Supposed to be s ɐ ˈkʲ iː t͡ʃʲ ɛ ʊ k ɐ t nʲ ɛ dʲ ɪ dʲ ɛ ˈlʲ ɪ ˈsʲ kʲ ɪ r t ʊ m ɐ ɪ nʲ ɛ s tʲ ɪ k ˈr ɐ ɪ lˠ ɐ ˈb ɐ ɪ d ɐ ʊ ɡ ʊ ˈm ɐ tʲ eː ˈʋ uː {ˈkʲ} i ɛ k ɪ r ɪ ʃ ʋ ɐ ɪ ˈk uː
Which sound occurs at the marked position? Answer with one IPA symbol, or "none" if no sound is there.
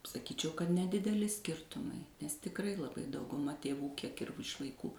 kʲ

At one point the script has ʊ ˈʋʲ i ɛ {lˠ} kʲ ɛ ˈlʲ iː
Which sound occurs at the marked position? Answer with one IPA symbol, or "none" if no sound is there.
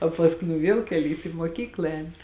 lˠ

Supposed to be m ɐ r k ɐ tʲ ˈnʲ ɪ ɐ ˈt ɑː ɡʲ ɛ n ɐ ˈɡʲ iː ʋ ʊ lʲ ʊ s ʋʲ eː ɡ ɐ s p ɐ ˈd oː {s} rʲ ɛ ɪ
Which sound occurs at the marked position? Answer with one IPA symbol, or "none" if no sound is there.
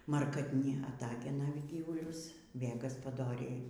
none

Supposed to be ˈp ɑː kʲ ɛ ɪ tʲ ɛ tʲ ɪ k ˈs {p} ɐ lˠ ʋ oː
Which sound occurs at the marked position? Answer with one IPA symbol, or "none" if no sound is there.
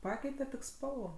p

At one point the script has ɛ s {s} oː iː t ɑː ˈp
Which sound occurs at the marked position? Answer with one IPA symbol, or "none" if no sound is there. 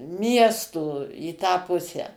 t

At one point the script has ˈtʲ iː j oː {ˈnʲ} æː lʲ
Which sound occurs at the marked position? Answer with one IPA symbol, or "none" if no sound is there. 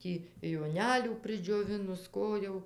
nʲ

